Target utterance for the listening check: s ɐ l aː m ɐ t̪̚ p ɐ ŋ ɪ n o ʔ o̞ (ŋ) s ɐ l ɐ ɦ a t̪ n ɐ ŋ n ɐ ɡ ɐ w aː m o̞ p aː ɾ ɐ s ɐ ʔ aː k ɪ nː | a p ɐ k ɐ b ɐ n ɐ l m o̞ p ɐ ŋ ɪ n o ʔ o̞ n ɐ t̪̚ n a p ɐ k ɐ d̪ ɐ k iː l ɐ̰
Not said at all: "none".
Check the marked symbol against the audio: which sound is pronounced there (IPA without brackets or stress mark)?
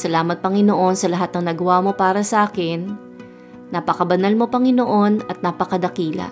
n